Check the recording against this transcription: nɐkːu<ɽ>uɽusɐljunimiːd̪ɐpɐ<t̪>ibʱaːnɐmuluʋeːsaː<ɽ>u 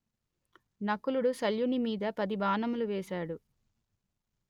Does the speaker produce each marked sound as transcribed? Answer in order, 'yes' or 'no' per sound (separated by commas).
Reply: no, no, yes